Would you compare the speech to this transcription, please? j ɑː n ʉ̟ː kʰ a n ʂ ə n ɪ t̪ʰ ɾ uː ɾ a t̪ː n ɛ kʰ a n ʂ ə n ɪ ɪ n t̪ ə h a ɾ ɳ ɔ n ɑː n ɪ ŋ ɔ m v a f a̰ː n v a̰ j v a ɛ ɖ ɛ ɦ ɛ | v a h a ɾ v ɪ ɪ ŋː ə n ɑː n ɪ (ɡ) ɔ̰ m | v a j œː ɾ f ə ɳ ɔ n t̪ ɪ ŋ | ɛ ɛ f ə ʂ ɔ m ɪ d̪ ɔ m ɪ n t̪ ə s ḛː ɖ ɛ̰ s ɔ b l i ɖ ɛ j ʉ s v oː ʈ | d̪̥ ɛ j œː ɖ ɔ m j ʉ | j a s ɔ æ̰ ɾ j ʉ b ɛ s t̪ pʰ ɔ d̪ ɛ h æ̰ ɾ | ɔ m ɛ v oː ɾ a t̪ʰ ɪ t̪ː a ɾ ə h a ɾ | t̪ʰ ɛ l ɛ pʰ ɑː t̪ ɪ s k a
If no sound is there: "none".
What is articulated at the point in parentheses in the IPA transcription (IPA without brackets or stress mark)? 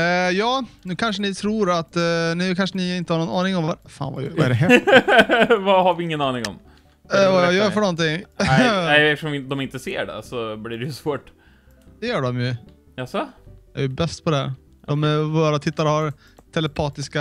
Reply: ŋ